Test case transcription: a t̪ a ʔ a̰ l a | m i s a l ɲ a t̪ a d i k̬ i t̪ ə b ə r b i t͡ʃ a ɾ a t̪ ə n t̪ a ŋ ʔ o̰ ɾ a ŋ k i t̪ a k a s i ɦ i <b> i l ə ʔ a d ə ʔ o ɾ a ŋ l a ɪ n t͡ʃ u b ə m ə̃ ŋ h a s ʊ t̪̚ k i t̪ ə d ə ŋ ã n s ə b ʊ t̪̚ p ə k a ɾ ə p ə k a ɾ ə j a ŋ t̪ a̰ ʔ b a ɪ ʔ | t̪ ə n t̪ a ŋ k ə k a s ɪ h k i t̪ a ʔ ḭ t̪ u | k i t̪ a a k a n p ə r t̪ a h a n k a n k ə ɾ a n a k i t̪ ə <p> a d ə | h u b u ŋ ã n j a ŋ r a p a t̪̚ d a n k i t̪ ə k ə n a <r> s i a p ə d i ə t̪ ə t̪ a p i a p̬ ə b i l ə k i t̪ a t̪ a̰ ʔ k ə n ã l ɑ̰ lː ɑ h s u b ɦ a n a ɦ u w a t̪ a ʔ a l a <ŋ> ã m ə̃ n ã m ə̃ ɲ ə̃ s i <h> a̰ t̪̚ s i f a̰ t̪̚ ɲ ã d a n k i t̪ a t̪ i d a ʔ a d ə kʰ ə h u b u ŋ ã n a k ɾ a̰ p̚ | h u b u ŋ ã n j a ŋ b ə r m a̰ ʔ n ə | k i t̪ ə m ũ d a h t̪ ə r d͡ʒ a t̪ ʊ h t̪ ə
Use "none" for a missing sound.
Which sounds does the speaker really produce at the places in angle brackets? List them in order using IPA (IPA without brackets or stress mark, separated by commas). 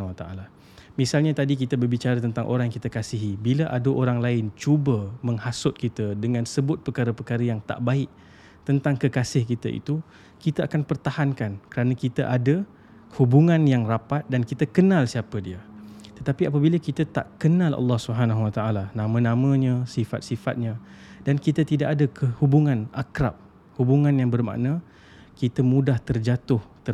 b, ʔ, l, n, f